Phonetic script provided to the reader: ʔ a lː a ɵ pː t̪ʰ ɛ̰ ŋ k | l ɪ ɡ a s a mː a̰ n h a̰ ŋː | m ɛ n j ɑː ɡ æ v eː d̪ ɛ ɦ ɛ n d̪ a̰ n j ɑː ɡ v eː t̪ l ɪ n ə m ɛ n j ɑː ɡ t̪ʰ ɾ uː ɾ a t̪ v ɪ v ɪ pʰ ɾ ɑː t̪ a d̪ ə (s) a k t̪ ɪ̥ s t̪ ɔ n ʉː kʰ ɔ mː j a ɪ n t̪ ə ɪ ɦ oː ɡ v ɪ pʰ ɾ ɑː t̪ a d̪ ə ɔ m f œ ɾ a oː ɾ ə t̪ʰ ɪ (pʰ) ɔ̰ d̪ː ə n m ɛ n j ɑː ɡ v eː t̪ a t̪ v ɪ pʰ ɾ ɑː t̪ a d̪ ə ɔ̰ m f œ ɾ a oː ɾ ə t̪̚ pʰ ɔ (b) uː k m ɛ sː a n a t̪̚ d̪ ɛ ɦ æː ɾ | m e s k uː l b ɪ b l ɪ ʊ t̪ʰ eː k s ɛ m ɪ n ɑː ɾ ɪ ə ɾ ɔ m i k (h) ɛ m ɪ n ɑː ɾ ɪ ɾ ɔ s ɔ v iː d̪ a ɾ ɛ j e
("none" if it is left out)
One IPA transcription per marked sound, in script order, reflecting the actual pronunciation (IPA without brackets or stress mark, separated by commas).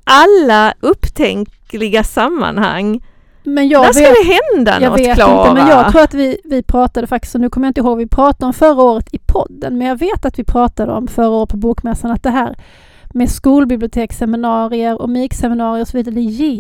f, pʰ, b, s